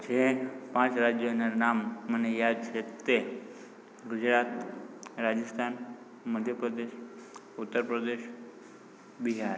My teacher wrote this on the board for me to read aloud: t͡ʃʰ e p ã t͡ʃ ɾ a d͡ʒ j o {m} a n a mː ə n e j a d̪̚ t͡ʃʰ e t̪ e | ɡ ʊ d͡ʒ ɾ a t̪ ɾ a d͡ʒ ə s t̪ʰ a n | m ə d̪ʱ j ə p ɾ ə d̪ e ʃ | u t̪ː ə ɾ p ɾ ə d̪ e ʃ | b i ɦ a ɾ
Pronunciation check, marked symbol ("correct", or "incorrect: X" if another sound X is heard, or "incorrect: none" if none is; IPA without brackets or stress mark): incorrect: n